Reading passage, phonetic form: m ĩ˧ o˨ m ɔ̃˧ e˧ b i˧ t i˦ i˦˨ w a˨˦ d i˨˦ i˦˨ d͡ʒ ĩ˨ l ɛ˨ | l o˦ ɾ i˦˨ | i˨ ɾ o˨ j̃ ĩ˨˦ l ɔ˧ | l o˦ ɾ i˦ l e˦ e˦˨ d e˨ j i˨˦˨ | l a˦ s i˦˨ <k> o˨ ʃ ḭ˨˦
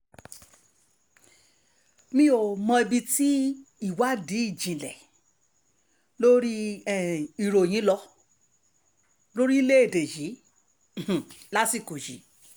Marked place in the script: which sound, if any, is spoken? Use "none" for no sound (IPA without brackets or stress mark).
k